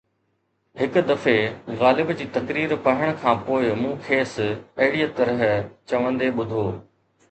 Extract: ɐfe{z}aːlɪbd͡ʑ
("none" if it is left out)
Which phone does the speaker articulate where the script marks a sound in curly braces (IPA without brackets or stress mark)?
ɣ